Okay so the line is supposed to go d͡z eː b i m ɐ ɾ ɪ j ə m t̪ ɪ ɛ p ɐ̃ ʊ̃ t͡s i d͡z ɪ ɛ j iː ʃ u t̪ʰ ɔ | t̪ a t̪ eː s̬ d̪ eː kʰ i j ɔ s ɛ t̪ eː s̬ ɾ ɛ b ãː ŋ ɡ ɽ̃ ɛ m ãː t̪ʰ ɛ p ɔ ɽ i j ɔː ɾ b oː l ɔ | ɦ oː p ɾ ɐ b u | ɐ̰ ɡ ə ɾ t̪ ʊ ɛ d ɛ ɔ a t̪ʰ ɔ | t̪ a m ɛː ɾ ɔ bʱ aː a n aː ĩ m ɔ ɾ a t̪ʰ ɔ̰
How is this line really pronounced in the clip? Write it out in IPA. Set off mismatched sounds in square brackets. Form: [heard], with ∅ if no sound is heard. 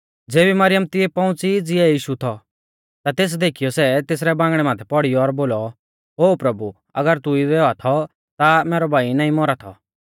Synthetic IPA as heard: d͡z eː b i m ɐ ɾ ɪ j ə m t̪ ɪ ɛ p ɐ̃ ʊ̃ t͡s i d͡z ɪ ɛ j iː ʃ u t̪ʰ ɔ | t̪ a t̪ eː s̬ d̪ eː kʰ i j ɔ s ɛ t̪ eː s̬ ɾ ɛ b ãː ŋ ɡ ɽ̃ ɛ m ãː t̪ʰ ɛ p ɔ ɽ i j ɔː ɾ b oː l ɔ | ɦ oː p ɾ ɐ b u | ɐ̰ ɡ ə ɾ t̪ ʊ [i] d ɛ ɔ a t̪ʰ ɔ | t̪ a m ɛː ɾ ɔ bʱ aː [i] n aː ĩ m ɔ ɾ a t̪ʰ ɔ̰